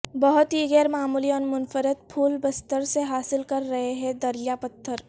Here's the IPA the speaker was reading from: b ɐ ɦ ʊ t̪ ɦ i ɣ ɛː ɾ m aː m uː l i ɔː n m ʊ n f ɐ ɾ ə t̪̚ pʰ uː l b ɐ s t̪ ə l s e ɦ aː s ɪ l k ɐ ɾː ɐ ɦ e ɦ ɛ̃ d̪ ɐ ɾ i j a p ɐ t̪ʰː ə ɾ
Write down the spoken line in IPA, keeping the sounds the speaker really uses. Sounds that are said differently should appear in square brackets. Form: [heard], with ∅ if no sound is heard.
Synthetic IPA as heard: b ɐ ɦ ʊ t̪ ɦ i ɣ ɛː ɾ m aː m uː l i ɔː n m ʊ n f [ə] ɾ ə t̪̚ pʰ uː l b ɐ s t̪ ə [ɾ] s e ɦ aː s ɪ l k ɐ ɾː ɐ ɦ e ɦ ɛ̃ d̪ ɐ ɾ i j a p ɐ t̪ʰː ə ɾ